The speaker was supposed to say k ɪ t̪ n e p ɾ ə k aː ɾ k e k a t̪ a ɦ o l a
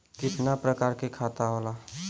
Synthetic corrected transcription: k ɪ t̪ n a p ɾ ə k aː ɾ k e kʰ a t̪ a ɦ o l a